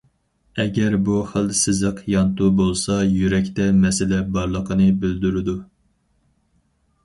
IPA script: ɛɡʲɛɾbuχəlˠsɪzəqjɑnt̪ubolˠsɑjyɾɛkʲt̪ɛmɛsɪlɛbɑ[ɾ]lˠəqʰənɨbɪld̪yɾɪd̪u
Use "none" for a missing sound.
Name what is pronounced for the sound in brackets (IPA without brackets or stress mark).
ɾ